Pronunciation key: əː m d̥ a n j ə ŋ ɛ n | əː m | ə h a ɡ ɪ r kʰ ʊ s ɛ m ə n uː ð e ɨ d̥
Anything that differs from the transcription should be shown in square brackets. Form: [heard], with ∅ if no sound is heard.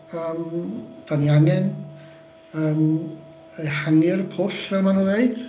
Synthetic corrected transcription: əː m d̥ a n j [a] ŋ ɛ n | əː m | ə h a [ŋ] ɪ r [pʰ] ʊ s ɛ m [a] n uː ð e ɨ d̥

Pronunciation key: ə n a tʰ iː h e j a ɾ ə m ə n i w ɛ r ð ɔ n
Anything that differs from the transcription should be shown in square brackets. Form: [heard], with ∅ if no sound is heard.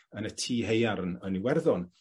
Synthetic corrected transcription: ə n [ə] tʰ iː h e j a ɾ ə [n] ə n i w ɛ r ð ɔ n

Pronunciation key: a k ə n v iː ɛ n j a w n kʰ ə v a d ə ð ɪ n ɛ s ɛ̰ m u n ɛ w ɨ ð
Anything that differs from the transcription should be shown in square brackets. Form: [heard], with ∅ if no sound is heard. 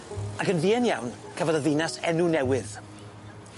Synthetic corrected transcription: a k ə n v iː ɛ n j a w n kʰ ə v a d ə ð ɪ n [a] s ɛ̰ [n] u n ɛ w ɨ ð

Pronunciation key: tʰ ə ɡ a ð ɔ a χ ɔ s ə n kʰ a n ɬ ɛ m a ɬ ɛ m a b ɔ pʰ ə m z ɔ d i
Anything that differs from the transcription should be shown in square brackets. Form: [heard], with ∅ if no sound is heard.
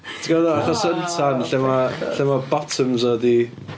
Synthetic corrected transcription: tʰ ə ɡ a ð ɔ a χ ɔ s ə n [tʰ] a n ɬ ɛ m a ɬ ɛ m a b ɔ [tʰ] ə m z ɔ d i

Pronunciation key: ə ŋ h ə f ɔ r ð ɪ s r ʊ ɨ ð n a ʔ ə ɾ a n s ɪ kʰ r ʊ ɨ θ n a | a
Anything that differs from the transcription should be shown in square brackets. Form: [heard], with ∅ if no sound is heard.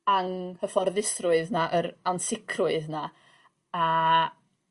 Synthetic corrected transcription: [a] ŋ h ə f ɔ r ð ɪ s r ʊ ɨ ð n a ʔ ə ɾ a n s ɪ kʰ r ʊ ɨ [ð] n a | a

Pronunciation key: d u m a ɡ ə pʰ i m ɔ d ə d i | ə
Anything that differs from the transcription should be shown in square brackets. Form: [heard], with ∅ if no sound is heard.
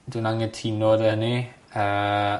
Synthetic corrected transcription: d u [n] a [ŋ] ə [tʰ] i [n] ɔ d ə [n] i | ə

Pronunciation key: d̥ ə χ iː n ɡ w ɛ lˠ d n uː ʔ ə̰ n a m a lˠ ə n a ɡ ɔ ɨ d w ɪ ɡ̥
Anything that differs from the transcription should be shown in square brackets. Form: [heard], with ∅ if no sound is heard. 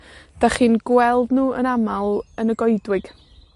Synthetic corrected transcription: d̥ [a] χ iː n ɡ w ɛ lˠ d n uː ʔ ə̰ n a m a lˠ ə n [ə] ɡ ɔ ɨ d w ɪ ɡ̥

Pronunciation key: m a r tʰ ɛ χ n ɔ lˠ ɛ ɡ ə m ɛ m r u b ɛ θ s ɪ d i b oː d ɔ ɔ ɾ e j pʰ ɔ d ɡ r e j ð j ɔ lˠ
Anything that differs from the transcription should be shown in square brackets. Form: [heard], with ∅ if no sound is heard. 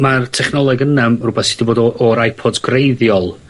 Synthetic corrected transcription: m a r tʰ ɛ χ n ɔ lˠ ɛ ɡ ə [n] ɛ m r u b ɛ θ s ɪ d i b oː d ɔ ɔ ɾ [a] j pʰ ɔ d ɡ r e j ð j ɔ lˠ

